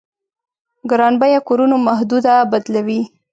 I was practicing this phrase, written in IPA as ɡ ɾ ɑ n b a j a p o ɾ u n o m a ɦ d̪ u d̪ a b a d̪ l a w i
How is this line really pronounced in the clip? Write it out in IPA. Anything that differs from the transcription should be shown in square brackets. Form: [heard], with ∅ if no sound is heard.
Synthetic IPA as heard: ɡ ɾ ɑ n b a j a [k] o ɾ u n o m a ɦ d̪ u d̪ a b a d̪ l a w i